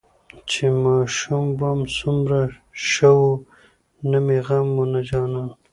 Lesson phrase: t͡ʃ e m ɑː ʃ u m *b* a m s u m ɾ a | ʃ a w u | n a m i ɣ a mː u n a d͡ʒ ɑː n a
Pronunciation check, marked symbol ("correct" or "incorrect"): correct